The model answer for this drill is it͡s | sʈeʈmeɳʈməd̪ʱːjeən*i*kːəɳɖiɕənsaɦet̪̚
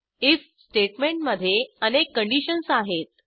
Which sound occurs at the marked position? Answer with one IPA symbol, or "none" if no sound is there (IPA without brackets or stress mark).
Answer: e